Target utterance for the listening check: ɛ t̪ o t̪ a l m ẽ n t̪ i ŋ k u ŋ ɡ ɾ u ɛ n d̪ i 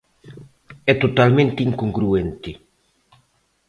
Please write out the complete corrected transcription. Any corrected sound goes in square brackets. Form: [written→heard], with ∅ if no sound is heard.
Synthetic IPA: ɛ t̪ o t̪ a l m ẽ n t̪ i ŋ k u ŋ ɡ ɾ u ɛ n [d̪→t̪] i